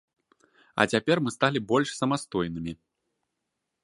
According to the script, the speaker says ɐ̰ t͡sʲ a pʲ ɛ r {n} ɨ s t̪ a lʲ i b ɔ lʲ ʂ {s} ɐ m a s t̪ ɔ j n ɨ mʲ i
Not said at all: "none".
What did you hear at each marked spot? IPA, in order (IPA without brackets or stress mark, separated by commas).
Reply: m, s